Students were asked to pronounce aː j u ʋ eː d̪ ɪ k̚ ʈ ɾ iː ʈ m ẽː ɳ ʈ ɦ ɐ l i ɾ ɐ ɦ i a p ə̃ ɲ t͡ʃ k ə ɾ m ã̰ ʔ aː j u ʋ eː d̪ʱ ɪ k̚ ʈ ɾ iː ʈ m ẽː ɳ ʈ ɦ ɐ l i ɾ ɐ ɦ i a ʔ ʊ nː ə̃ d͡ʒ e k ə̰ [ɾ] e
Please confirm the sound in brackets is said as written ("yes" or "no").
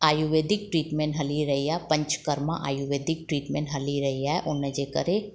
yes